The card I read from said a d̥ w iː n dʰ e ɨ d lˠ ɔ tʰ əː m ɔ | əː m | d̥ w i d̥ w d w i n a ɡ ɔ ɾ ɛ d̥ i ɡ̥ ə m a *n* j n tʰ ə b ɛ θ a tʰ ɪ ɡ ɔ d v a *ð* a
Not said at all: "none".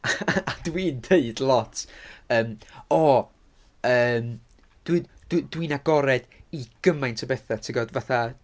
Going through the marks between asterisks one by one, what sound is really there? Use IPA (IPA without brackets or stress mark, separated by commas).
none, θ